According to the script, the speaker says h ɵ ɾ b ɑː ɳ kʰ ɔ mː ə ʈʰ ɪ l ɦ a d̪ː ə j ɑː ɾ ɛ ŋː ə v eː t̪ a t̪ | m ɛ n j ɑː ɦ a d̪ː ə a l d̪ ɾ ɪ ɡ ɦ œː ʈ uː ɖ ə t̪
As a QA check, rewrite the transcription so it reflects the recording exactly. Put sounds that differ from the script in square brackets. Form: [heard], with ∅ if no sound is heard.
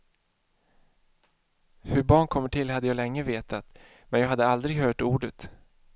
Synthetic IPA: h ɵ ɾ b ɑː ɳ kʰ ɔ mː ə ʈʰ ɪ l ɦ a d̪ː ə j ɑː [l] ɛ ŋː ə v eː t̪ a t̪ | m ɛ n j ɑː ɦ a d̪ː ə a l d̪ ɾ ɪ ɡ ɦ œː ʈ uː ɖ ə t̪

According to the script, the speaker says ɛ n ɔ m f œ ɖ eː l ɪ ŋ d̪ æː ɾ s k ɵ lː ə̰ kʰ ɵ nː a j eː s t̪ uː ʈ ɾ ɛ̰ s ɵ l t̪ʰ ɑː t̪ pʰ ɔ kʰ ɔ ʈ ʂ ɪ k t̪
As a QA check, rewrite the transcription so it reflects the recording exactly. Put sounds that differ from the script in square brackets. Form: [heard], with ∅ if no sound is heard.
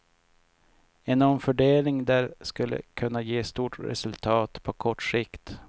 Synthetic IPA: ɛ n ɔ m f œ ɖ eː l ɪ ŋ d̪ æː ɾ s k ɵ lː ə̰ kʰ ɵ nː a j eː s t̪ uː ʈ ɾ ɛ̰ s ɵ l t̪ʰ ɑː t̪ pʰ ɔ kʰ ɔ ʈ ʂ ɪ k t̪

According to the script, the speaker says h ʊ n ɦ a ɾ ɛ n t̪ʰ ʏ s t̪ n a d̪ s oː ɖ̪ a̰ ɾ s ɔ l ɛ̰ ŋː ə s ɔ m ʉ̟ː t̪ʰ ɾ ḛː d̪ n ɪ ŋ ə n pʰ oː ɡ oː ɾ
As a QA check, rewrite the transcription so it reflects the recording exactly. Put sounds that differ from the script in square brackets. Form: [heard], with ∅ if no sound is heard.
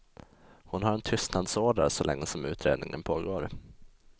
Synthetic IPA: h ʊ n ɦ a ɾ ɛ n t̪ʰ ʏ s t̪ n a d̪ s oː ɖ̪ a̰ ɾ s ɔ l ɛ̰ ŋː ə s ɔ m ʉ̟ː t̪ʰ ɾ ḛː d̪ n ɪ ŋ ə n pʰ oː ɡ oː ɾ

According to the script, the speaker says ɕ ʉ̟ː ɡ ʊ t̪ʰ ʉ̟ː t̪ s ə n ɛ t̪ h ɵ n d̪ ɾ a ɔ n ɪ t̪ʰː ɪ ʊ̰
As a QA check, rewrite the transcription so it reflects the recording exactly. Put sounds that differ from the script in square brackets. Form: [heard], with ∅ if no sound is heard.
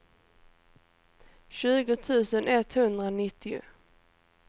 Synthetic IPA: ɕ ʉ̟ː ɡ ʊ t̪ʰ ʉ̟ː [∅] s ə n ɛ t̪ h ɵ n d̪ ɾ a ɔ n ɪ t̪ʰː ɪ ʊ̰

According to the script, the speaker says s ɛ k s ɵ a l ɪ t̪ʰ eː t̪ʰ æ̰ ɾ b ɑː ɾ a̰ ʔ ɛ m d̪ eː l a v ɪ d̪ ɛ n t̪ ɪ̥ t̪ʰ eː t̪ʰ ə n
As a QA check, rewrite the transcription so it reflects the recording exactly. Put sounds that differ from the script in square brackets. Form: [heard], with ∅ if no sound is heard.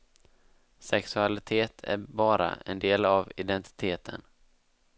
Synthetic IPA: s ɛ k s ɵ a l ɪ t̪ʰ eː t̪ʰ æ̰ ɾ b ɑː ɾ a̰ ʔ ɛ [n] d̪ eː l a v ɪ d̪ ɛ n t̪ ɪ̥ t̪ʰ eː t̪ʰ ə n

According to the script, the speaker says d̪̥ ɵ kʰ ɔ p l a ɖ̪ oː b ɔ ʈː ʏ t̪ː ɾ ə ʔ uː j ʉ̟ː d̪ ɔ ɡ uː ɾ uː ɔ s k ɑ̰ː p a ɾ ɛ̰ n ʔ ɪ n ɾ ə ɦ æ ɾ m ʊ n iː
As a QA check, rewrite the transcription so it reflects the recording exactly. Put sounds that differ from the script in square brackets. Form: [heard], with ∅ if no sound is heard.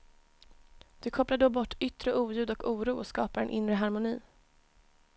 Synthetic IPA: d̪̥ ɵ kʰ ɔ p l a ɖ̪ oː b ɔ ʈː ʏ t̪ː ɾ ə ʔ uː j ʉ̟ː d̪ ɔ [k] uː ɾ uː ɔ s k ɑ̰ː p a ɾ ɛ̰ n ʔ ɪ n ɾ ə ɦ [a] ɾ m ʊ n iː

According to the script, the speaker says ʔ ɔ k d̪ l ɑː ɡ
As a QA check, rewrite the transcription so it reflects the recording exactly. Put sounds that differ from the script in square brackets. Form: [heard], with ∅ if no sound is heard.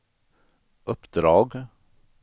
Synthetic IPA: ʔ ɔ [p] d̪ [ɾ] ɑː ɡ

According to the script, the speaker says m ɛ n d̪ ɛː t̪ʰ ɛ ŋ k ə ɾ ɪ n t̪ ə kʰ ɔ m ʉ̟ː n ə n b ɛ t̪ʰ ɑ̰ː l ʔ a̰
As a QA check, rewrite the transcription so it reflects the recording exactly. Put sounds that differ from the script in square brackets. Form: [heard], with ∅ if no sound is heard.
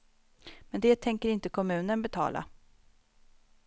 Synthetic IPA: m ɛ n d̪ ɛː t̪ʰ ɛ ŋ k ə ɾ ɪ n t̪ ə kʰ ɔ m ʉ̟ː n ə n b ɛ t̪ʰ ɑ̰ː l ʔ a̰

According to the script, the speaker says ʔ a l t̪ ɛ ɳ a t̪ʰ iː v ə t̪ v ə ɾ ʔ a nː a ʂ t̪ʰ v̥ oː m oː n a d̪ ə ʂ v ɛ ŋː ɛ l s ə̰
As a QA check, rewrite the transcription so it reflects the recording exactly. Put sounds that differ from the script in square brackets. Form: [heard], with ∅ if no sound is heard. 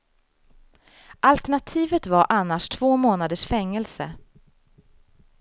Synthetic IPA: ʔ a l t̪ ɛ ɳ a t̪ʰ iː v ə t̪ v [a] ɾ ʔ a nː a ʂ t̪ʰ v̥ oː m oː n a d̪ ə ʂ [f] ɛ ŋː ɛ l s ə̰

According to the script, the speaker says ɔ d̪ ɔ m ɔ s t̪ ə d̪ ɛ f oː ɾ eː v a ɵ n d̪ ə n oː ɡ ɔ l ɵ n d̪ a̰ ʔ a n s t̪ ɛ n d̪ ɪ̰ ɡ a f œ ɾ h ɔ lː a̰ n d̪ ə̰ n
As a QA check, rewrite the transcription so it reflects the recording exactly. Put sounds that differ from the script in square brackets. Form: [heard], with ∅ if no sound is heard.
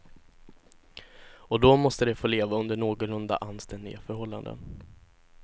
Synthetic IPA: ɔ d̪ ɔ m ɔ s t̪ ə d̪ ɛ f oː [l] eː v a ɵ n d̪ ə [ɳ] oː ɡ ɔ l ɵ n d̪ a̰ ʔ a n s t̪ ɛ n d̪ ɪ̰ ɡ a f œ ɾ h ɔ lː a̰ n d̪ ə̰ n

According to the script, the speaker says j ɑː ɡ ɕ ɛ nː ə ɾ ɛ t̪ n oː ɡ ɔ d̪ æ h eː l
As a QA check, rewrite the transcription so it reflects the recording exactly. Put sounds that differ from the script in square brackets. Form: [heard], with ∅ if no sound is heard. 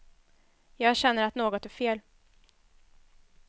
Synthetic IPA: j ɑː ɡ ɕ ɛ nː ə ɾ [a] t̪ n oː ɡ ɔ [t̪] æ [f] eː l

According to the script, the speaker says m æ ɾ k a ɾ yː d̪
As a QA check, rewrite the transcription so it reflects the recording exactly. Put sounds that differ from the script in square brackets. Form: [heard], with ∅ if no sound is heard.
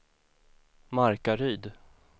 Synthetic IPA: m [a] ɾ k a ɾ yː d̪

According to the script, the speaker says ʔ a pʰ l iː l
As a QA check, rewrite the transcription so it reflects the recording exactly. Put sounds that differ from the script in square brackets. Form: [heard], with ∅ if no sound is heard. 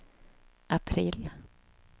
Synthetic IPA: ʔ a pʰ [ɾ] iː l

